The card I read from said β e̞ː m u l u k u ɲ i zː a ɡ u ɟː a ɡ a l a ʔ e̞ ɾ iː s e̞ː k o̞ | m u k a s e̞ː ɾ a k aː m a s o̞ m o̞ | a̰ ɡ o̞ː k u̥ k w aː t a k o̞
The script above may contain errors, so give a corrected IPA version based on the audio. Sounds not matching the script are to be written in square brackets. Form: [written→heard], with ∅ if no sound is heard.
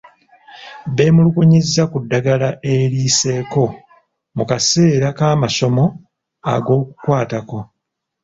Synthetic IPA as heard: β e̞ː m u l u k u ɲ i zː a [ɡ→k] u [ɟː→dː] a ɡ a l a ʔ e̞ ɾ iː s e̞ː k o̞ | m u k a s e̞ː ɾ a k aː m a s o̞ m o̞ | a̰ ɡ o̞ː k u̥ k w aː t a k o̞